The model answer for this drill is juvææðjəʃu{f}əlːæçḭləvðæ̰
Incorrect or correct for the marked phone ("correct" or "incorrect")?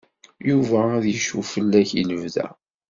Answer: correct